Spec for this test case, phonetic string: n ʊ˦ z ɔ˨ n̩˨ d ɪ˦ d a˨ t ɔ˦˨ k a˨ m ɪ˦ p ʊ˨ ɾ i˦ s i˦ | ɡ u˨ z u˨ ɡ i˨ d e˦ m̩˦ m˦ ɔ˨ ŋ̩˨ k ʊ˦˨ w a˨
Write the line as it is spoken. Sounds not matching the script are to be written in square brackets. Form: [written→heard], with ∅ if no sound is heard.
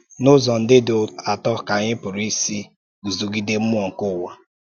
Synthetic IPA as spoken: n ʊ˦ z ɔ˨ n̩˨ d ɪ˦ d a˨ t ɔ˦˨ k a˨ [m→ɲ] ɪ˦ p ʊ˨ ɾ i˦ s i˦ | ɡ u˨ z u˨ ɡ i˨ d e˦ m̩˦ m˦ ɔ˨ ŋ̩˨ k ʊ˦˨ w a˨